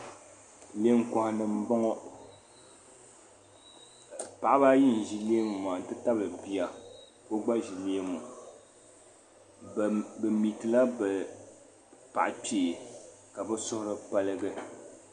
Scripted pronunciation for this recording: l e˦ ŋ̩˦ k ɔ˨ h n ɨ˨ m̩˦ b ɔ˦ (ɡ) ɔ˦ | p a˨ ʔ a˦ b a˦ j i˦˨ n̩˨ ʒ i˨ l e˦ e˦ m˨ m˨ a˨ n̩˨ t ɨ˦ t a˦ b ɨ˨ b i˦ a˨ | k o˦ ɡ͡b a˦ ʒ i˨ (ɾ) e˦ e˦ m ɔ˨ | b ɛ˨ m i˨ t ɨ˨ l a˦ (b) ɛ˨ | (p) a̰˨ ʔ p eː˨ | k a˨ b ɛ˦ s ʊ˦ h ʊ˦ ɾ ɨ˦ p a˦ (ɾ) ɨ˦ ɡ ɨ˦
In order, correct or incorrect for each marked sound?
incorrect: ŋ, incorrect: l, correct, correct, incorrect: l

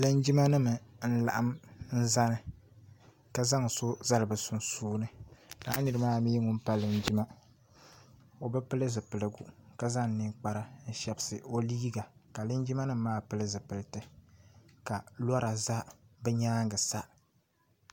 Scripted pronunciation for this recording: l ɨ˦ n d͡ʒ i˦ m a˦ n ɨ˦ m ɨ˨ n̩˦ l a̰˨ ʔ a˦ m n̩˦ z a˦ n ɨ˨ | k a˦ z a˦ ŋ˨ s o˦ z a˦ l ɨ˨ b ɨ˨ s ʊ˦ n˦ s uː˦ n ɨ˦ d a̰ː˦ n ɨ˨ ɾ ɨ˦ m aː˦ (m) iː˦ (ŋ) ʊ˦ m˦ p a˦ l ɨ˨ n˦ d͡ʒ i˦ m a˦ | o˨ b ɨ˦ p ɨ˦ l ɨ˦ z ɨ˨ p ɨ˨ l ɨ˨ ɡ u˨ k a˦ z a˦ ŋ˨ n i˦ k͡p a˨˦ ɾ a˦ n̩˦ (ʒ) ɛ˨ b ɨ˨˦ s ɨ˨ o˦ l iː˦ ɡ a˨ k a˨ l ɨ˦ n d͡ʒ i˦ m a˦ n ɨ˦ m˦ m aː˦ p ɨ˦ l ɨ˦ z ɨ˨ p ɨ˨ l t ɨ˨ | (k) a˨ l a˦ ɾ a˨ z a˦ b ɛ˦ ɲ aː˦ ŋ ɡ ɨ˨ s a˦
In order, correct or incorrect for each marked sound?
correct, correct, incorrect: ʃ, correct

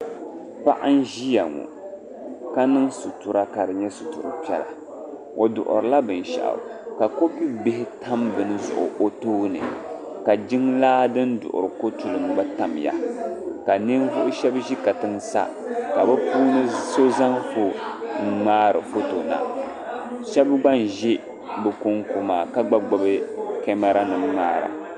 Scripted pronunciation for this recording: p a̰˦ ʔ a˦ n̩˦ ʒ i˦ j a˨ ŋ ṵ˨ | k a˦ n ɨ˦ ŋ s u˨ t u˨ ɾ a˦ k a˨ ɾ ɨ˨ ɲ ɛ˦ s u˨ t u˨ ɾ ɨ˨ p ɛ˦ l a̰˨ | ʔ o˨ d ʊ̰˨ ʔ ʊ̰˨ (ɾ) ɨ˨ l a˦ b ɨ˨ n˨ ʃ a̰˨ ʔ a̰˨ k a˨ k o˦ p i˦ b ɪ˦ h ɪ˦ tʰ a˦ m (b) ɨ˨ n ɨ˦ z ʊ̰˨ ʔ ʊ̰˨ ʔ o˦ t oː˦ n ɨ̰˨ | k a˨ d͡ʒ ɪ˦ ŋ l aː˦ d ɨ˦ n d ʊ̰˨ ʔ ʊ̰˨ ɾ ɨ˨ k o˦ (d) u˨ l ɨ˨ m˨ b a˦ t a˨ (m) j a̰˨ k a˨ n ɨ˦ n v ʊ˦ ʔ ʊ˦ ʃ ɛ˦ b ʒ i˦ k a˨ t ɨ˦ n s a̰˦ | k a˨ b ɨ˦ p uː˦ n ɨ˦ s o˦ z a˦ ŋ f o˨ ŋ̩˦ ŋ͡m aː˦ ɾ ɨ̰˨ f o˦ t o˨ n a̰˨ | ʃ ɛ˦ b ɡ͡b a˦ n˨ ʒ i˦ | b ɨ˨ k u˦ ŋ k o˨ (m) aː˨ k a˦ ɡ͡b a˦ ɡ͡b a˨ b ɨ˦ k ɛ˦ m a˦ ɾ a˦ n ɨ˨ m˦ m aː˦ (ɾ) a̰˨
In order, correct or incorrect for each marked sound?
correct, correct, incorrect: t, correct, correct, correct

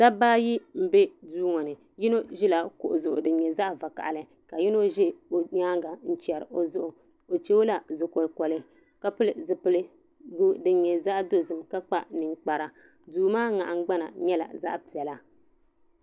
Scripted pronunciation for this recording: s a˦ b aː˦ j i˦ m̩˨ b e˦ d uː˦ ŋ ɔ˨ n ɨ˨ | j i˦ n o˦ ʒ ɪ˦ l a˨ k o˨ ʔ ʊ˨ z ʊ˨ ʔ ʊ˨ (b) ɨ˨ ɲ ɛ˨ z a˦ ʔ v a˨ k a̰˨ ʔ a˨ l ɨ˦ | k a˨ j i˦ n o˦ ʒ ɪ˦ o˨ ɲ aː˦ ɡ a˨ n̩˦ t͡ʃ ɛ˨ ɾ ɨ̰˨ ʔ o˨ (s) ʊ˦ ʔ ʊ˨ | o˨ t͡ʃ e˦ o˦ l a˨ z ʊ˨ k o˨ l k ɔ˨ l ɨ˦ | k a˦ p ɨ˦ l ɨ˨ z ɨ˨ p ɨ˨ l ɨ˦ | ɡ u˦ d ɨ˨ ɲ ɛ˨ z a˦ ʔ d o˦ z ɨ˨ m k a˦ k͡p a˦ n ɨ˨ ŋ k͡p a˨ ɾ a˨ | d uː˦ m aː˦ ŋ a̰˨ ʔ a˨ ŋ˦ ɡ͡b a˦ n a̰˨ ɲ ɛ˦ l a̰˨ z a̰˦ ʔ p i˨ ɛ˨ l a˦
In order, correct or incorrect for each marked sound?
incorrect: d, incorrect: z

